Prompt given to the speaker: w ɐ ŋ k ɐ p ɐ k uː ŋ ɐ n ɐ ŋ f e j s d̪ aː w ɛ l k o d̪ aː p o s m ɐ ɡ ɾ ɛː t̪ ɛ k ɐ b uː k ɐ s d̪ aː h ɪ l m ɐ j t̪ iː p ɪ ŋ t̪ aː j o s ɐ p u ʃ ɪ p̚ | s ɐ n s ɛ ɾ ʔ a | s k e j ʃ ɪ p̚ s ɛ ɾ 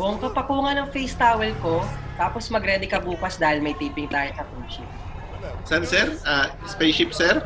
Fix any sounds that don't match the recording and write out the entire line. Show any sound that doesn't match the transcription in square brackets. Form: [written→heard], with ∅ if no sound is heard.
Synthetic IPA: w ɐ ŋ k ɐ p ɐ k uː ŋ ɐ n ɐ ŋ f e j s [d̪→t̪] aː w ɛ l k o [d̪→t̪] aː p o s m ɐ ɡ ɾ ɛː [t̪→d̪] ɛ k ɐ b uː k ɐ s d̪ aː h ɪ l m ɐ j t̪ iː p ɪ ŋ t̪ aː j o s ɐ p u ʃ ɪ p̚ | s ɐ n s ɛ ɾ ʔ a | s [k→p] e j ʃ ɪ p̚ s ɛ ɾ